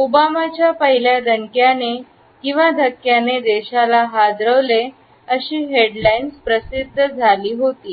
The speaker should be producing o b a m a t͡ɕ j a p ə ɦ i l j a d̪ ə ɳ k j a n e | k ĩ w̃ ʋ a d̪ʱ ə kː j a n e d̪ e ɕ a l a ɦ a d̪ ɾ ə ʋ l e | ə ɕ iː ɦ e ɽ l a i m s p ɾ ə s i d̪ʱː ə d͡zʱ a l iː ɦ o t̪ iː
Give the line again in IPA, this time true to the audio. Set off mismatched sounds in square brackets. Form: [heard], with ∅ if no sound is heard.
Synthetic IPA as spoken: o b a m a t͡ɕ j a p ə ɦ i l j a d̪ ə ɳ k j a n e | k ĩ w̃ ʋ a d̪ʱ ə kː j a n e d̪ e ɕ a l a ɦ a d̪ ɾ ə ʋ l e | ə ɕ iː ɦ e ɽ l a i [n] s p ɾ ə s i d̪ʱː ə d͡zʱ a l iː ɦ o t̪ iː

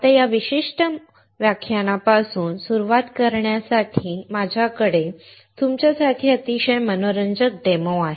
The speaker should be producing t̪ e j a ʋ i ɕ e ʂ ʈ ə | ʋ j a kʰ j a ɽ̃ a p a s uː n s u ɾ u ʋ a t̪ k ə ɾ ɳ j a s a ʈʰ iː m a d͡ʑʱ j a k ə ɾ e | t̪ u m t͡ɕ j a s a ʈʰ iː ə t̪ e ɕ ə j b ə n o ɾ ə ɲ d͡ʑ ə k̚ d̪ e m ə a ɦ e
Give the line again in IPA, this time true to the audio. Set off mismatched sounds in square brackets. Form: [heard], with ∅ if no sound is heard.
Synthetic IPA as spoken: t̪ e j a ʋ i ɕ [i] ʂ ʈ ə | ʋ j a kʰ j a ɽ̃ a p a s uː n s u ɾ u ʋ a t̪ k ə ɾ ɳ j a s a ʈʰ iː m a d͡ʑʱ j a k ə [ɽ] e | t̪ u m t͡ɕ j a s a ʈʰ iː ə t̪ [i] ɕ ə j [m] ə n o ɾ ə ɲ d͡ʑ ə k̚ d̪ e m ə a ɦ e

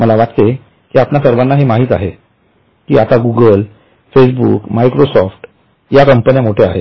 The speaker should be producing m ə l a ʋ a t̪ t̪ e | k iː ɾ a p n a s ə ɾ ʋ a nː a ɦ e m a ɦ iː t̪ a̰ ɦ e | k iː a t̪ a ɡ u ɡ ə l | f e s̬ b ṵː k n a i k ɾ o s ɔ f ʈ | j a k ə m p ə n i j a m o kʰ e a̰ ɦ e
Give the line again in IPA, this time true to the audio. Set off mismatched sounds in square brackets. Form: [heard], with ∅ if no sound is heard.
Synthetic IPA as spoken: m ə l a ʋ a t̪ t̪ e | k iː [∅] a p n a s ə ɾ ʋ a nː a ɦ e m a ɦ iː t̪ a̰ ɦ e | k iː a t̪ a ɡ u ɡ ə l | f e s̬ b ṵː k [m] a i k ɾ o s ɔ f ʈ | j a k ə m p ə n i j a m o [ʈʰ] e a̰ ɦ e

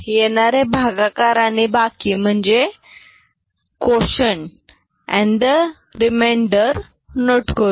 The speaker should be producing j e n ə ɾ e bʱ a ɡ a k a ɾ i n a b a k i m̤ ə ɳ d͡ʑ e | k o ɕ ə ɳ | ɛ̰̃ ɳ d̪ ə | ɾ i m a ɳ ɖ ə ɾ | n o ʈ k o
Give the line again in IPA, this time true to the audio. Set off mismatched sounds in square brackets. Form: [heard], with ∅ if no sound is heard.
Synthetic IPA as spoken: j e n [a] ɾ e bʱ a ɡ a k a ɾ [a] n [i] b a k i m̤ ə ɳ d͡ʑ e | k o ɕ ə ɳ | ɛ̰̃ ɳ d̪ ə | ɾ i m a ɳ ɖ ə ɾ | n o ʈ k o

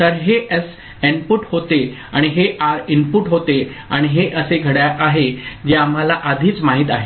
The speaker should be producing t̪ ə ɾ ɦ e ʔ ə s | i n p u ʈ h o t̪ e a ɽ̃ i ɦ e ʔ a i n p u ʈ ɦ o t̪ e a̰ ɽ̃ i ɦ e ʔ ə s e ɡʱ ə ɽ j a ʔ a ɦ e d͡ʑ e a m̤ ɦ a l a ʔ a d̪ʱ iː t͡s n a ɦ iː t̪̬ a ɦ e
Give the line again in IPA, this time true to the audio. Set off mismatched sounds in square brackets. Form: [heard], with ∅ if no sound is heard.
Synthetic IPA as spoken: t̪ ə ɾ ɦ e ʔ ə s | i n p u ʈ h o t̪ e a ɽ̃ i ɦ e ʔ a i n p u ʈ ɦ o t̪ e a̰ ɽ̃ i ɦ e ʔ ə s e ɡʱ ə ɽ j a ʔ a ɦ e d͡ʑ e a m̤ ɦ a l a ʔ a d̪ʱ iː t͡s [m] a ɦ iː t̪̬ a ɦ e

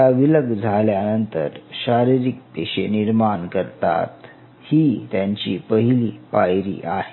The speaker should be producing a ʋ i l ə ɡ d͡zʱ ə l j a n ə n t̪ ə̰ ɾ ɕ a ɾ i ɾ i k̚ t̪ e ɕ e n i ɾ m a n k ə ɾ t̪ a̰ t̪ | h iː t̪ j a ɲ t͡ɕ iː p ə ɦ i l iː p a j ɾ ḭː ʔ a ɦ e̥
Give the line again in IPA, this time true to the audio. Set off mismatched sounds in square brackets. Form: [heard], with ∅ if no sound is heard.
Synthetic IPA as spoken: a ʋ i l ə ɡ d͡zʱ [a] l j a n ə n t̪ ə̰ ɾ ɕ a ɾ i ɾ i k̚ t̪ e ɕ e n i ɾ m a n k ə ɾ t̪ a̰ t̪ | h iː t̪ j a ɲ t͡ɕ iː p ə ɦ i l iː p a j ɾ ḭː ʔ a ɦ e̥

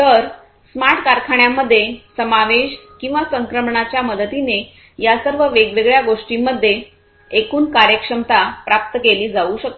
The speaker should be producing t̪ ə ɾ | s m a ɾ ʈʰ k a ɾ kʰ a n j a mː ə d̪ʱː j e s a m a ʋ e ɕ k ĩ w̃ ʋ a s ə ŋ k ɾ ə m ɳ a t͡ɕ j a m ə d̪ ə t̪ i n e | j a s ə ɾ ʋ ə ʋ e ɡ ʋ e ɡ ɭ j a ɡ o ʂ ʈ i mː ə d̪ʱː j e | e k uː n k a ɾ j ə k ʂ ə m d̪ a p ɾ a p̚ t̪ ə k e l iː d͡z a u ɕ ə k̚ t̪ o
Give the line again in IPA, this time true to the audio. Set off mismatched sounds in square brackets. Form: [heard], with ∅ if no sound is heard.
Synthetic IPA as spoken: t̪ ə ɾ | s m a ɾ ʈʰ k a ɾ kʰ a [ɳ] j a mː ə d̪ʱː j e s [ə] m a ʋ e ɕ k ĩ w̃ ʋ a s ə ŋ k ɾ ə m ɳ a t͡ɕ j a m ə d̪ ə t̪ i n e | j a s ə ɾ ʋ ə ʋ e ɡ ʋ e ɡ ɭ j a ɡ o ʂ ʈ i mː ə d̪ʱː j e | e k uː n k a ɾ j ə k ʂ ə m [t̪] a p ɾ a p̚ t̪ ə k e l iː d͡z a u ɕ ə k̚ t̪ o

